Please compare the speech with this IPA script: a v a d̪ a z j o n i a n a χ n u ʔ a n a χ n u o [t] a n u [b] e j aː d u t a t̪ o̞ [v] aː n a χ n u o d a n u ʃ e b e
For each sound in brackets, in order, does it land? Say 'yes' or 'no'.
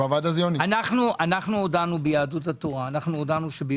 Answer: no, yes, no

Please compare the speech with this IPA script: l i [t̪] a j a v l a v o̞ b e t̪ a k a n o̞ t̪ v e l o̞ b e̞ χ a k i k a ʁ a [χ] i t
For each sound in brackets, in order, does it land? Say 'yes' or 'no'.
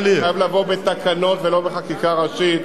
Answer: no, no

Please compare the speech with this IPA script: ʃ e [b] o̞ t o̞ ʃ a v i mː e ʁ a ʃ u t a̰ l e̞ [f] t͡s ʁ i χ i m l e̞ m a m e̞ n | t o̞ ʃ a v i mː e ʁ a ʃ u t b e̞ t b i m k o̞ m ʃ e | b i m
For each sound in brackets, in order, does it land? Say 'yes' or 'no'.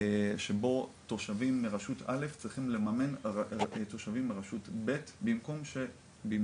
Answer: yes, yes

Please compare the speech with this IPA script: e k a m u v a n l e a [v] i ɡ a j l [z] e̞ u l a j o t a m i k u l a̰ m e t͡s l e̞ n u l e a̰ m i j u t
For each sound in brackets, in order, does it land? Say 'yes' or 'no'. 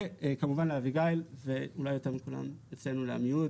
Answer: yes, no

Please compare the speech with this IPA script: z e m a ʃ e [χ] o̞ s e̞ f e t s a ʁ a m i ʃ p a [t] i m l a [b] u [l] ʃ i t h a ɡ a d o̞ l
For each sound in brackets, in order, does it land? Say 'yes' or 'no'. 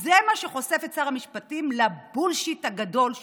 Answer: yes, yes, yes, yes

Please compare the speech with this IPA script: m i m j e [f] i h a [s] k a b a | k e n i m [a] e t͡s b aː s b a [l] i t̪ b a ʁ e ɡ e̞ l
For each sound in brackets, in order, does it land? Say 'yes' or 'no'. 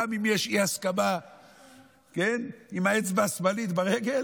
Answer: no, yes, yes, yes

